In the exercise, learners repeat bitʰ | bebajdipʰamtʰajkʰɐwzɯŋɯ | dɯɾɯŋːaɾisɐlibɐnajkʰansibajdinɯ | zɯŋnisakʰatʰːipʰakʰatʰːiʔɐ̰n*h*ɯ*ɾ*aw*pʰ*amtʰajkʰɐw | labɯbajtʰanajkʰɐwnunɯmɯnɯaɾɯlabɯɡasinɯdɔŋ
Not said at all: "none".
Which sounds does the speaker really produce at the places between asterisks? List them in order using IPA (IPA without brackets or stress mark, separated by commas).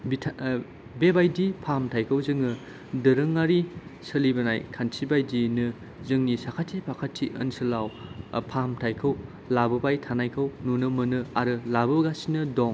s, l, pʰ